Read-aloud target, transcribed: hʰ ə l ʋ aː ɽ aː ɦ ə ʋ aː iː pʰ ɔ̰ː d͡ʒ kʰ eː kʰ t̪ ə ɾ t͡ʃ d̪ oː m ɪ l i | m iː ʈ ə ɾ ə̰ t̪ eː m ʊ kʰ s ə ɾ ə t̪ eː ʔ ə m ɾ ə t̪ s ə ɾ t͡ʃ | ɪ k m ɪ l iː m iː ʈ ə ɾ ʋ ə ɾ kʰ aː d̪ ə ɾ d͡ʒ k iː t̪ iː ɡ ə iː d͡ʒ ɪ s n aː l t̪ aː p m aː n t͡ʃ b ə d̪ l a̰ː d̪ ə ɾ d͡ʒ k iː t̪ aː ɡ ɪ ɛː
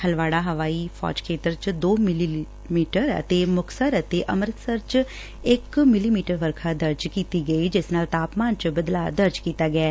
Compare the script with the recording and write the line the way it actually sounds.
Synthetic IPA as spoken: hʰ ə l ʋ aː ɽ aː ɦ ə ʋ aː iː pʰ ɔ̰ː d͡ʒ kʰ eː t̪ ə ɾ t͡ʃ d̪ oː m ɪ l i | m iː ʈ ə ɾ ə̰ t̪ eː m ʊ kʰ s ə ɾ ə t̪ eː ʔ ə m ɾ ə t̪ s ə ɾ t͡ʃ | ɪ k m ɪ l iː m iː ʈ ə ɾ ʋ ə ɾ kʰ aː d̪ ə ɾ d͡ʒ k iː t̪ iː ɡ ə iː d͡ʒ ɪ s n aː l t̪ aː p m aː n t͡ʃ b ə d̪ l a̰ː d̪ ə ɾ d͡ʒ k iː t̪ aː ɡ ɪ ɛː

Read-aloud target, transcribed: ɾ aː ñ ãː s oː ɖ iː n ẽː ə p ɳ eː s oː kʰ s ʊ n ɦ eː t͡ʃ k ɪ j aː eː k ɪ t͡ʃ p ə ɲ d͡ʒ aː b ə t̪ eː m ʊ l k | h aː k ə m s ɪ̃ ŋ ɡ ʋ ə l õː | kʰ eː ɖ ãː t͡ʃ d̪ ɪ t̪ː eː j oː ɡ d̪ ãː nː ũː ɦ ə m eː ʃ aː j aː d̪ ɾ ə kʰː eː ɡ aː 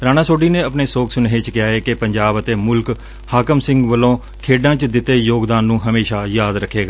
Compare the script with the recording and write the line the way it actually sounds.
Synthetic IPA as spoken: ɾ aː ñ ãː s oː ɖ iː n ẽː ə p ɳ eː s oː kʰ s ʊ n ɦ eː t͡ʃ k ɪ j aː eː k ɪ p ə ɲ d͡ʒ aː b ə t̪ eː m ʊ l k | h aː k ə m s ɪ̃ ŋ ɡ ʋ ə l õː | kʰ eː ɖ ãː t͡ʃ d̪ ɪ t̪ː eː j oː ɡ d̪ aː nː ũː ɦ ə m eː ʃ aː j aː d̪ ɾ ə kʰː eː ɡ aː

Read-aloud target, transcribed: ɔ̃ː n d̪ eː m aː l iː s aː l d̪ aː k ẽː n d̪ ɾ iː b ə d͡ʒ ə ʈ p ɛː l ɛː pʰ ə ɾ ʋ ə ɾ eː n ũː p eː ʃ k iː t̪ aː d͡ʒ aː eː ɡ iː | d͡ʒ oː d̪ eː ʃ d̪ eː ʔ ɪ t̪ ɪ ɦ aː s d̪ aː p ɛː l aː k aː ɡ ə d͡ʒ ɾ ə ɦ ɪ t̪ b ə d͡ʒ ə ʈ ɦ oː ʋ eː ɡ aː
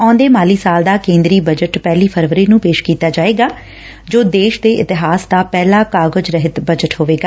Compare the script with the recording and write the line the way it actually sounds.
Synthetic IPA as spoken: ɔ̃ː n d̪ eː m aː l iː s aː l d̪ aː k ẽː n d̪ ɾ iː b ə d͡ʒ ə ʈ p ɛː l iː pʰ ə ɾ ʋ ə ɾ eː n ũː p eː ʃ k iː t̪ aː d͡ʒ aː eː ɡ aː | d͡ʒ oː d̪ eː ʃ d̪ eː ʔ ɪ t̪ ɪ ɦ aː s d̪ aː p ɛː l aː k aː ɡ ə d͡ʒ ɾ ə ɦ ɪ t̪ b ə d͡ʒ ə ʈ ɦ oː ʋ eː ɡ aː

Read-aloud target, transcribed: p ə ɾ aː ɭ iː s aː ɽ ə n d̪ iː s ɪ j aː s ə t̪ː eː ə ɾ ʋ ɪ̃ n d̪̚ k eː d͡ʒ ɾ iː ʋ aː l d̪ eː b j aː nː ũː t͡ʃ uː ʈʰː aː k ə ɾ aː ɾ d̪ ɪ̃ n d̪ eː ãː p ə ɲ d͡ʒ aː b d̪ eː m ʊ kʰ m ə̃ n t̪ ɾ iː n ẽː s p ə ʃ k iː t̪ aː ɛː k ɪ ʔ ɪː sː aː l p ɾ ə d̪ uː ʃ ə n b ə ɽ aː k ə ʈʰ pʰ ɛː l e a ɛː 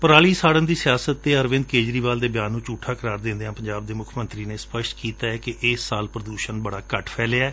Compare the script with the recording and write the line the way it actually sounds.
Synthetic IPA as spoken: p ə ɾ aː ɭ iː s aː ɽ ə n d̪ iː s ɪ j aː s ə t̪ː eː ə ɾ ʋ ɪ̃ n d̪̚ k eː d͡ʒ ɾ iː ʋ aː l d̪ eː b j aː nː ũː t͡ʃ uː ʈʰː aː k ə ɾ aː ɾ d̪ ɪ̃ n d̪ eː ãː p ə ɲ d͡ʒ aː b d̪ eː m ʊ kʰ m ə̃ n t̪ ɾ iː n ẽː s p ə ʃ k iː t̪ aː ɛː k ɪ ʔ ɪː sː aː l p ɾ ə d̪ uː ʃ ə n b ə ɽ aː k ə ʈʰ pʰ ɛː l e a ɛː

